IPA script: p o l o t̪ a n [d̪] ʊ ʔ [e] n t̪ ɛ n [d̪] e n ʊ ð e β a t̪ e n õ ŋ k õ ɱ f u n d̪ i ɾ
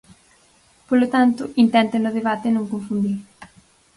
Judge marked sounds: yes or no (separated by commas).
no, no, no